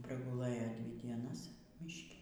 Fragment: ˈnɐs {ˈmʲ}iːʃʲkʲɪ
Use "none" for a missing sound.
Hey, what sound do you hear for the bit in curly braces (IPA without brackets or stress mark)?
mʲ